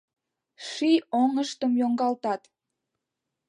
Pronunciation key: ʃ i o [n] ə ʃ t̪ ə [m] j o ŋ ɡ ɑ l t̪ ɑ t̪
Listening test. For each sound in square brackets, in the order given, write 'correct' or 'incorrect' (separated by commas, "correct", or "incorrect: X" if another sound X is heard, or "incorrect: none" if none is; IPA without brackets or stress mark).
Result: incorrect: ŋ, correct